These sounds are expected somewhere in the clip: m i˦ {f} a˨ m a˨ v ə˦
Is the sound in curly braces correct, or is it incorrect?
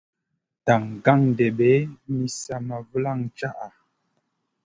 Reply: incorrect